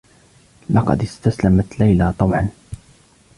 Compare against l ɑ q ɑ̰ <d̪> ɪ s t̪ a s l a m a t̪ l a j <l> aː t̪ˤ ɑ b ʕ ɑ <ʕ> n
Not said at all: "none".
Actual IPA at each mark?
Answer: d̪, l, none

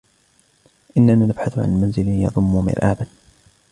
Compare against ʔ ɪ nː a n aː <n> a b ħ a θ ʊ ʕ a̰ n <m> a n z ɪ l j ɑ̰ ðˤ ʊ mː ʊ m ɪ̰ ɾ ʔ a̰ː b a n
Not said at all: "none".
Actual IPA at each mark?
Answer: n, m

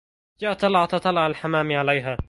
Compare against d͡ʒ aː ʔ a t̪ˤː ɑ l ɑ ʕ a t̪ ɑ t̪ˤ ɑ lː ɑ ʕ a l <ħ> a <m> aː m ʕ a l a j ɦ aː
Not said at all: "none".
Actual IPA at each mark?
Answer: ħ, m

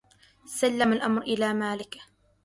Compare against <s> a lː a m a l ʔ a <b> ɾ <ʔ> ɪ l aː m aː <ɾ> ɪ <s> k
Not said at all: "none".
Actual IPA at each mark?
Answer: s, m, ʔ, l, none

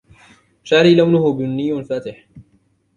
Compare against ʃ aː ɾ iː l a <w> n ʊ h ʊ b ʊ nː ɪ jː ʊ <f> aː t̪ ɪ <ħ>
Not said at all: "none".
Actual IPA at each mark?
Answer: w, f, ħ

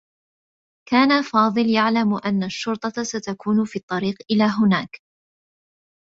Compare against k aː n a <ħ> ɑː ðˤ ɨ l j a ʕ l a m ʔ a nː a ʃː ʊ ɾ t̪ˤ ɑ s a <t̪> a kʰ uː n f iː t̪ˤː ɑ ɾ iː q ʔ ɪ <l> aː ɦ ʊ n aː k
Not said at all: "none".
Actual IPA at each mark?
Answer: f, t̪, l

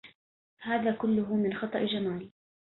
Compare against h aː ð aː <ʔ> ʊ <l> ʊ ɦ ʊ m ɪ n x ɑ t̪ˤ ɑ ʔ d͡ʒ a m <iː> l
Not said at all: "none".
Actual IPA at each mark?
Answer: k, lː, aː

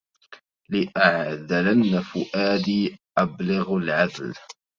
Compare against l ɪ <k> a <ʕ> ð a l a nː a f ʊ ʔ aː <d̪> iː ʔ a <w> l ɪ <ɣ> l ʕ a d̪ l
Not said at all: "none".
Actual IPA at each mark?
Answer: ʔ, ʕ, d̪, b, ɣ

